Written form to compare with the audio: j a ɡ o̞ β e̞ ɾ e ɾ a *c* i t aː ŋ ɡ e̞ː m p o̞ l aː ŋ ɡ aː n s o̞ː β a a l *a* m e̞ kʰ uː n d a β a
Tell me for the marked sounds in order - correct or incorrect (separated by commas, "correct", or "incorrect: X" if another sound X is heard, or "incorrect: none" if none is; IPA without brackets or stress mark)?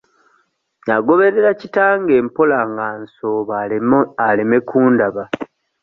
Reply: correct, incorrect: e